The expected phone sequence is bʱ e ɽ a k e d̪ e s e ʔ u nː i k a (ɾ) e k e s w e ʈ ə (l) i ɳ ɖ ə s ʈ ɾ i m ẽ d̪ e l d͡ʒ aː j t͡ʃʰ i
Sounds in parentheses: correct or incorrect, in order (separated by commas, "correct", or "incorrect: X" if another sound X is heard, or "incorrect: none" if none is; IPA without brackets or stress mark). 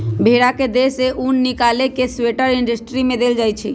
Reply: incorrect: l, incorrect: ɾ